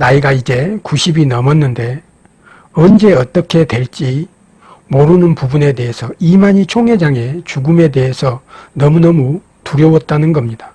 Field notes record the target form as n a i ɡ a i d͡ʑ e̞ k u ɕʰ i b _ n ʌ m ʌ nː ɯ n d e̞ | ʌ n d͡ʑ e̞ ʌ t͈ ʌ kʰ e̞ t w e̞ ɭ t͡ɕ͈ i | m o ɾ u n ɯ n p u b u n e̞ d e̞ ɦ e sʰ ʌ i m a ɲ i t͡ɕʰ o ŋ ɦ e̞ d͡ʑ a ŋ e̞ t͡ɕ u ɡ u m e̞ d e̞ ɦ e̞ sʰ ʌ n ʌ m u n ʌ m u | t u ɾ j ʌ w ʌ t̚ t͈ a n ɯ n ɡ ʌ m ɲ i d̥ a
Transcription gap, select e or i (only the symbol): i